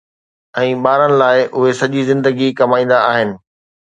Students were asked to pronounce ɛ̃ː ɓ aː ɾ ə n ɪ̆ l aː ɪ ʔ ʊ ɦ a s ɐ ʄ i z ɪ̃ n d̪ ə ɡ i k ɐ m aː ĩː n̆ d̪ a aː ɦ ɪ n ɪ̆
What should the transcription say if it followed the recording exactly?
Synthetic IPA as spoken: ɛ̃ː ɓ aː ɾ ə n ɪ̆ l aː ɪ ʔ ʊ ɦ e s ɐ ʄ i z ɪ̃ n d̪ ə ɡ i k ɐ m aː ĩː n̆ d̪ a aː ɦ ɪ n ɪ̆